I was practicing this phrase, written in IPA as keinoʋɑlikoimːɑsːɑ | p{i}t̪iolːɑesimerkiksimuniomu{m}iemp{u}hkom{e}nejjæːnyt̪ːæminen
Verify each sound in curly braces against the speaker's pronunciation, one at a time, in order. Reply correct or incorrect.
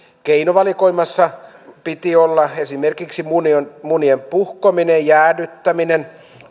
correct, incorrect: n, correct, incorrect: i

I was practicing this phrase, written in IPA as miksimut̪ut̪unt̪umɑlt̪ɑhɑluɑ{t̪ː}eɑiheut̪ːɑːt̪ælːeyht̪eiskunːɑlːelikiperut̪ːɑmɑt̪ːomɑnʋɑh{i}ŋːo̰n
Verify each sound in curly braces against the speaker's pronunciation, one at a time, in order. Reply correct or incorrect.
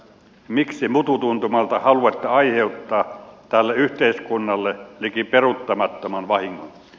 correct, correct

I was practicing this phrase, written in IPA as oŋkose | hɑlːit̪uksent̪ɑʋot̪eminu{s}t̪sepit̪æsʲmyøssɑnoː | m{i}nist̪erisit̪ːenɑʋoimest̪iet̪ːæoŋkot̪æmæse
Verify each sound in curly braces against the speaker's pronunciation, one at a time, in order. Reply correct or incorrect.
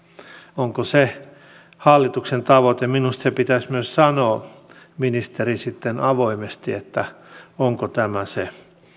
correct, correct

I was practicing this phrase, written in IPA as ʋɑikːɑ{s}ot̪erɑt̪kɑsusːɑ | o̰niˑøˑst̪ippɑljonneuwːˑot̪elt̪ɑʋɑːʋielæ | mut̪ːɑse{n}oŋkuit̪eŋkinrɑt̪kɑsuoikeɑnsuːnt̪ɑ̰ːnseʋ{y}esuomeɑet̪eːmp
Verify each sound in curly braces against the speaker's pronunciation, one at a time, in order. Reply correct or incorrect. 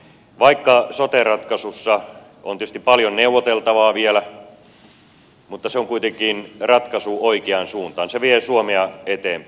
correct, incorrect: none, incorrect: i

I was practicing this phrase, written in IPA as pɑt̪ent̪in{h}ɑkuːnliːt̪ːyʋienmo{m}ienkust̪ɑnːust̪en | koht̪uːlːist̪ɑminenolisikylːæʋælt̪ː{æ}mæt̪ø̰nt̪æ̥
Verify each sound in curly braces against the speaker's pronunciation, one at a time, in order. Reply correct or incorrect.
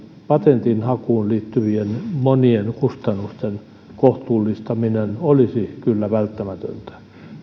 correct, incorrect: n, correct

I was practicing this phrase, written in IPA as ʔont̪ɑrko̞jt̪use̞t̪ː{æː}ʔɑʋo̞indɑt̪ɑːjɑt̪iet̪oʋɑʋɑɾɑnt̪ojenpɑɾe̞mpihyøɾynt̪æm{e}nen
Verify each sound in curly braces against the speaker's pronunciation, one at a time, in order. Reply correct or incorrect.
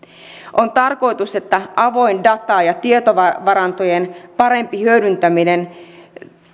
incorrect: æ, incorrect: i

